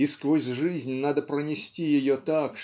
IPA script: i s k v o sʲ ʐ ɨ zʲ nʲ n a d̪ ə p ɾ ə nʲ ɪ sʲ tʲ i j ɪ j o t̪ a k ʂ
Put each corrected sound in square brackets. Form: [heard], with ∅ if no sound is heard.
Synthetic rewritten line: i s k v o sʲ ʐ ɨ zʲ nʲ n a d̪ ə p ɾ ə nʲ ɪ sʲ tʲ i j ɪ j o t̪ a k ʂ